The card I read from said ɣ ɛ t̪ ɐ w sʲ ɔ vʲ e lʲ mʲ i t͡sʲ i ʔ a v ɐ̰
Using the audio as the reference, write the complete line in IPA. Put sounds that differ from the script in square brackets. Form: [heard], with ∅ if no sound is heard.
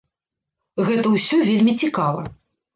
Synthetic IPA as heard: ɣ ɛ t̪ ɐ w sʲ ɔ vʲ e lʲ mʲ i t͡sʲ i [k] a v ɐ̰